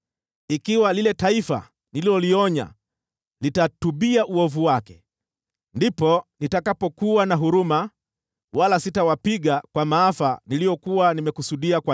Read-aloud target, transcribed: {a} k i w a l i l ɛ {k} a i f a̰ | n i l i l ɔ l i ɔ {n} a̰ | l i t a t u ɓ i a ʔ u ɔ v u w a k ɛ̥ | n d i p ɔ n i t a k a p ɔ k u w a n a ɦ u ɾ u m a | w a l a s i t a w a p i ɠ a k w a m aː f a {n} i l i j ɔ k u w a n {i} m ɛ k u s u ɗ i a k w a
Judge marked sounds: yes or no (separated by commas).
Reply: no, no, no, yes, yes